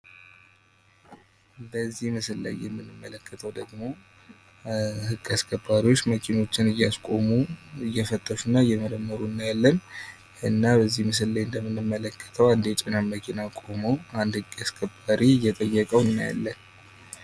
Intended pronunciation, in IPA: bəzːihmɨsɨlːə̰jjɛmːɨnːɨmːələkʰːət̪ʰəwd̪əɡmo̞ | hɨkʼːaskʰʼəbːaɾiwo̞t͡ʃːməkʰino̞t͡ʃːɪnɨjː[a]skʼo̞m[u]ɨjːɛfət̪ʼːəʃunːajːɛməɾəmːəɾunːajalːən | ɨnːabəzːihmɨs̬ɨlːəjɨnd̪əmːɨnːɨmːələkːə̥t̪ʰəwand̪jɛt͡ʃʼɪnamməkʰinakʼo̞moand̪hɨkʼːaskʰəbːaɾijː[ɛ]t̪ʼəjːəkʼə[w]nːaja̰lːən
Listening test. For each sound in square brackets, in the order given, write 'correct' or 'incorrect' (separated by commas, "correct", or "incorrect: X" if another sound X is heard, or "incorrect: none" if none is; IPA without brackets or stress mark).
correct, correct, correct, correct